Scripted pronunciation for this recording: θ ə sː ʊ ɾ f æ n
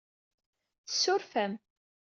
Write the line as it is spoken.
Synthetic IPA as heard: θ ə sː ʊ ɾ f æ m